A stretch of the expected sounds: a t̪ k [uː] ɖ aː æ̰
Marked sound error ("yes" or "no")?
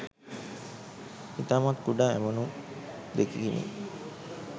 yes